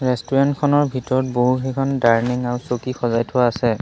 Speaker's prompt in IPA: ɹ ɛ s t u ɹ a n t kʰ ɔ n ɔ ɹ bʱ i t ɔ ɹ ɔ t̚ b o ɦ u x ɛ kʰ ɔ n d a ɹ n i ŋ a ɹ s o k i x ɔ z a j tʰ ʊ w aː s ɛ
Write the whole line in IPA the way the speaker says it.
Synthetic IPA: ɹ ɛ s t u ɹ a n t kʰ ɔ n ɔ ɹ bʱ i t ɔ ɹ ɔ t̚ b o ɦ u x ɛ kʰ ɔ n d a ɹ n i ŋ a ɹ s o k i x ɔ z a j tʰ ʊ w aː s ɛ